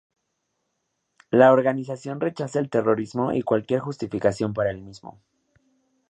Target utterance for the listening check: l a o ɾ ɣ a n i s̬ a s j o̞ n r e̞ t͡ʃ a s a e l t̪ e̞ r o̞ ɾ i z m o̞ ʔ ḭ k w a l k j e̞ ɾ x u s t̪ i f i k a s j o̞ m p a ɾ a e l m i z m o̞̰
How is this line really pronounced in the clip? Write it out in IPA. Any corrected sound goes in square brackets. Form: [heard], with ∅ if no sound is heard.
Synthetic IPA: l a o ɾ ɣ a n i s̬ a s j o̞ n r e̞ t͡ʃ a s a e l t̪ e̞ r o̞ ɾ i z m o̞ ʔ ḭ k w a l k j e̞ ɾ x u s t̪ i f i k a s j o̞ m p a ɾ a e l m i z m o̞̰